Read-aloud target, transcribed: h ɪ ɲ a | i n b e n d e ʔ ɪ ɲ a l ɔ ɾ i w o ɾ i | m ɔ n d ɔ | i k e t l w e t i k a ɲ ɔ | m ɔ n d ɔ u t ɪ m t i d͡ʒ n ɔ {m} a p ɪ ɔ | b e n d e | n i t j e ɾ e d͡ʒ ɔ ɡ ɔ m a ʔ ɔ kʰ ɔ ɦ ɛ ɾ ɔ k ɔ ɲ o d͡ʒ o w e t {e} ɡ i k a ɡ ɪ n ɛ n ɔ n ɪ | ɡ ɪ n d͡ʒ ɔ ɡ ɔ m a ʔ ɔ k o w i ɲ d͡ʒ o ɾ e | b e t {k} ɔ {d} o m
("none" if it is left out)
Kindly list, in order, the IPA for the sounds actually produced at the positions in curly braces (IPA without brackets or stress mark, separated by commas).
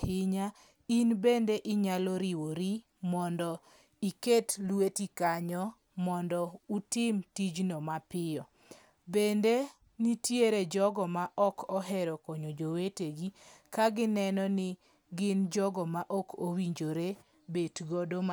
m, e, ɡ, d